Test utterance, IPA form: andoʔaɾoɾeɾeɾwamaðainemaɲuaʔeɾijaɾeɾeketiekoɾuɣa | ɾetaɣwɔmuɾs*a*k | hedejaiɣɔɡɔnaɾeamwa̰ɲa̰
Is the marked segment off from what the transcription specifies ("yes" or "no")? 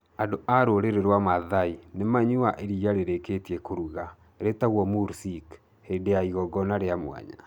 yes